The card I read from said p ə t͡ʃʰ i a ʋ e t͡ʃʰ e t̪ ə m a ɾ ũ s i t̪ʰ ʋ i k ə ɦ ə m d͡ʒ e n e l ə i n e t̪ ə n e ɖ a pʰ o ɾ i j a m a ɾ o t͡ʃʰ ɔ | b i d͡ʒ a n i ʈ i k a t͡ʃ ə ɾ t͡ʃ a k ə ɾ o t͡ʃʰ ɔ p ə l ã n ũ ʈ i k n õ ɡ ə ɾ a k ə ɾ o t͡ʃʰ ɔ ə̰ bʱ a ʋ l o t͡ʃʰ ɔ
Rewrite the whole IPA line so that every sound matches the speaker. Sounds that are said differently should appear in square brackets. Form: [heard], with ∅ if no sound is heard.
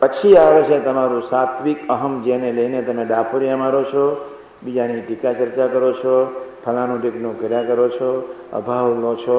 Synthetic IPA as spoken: p ə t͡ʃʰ i a ʋ e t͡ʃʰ e t̪ ə m a ɾ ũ s [a] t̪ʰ ʋ i k ə ɦ ə m d͡ʒ e n e l ə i n e t̪ ə [m] e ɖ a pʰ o ɾ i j a m a ɾ o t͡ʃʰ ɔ | b i d͡ʒ a n i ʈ i k a t͡ʃ ə ɾ t͡ʃ a k ə ɾ o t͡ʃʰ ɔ [pʰ] ə l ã n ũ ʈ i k n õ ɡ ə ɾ a k ə ɾ o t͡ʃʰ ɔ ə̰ bʱ a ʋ l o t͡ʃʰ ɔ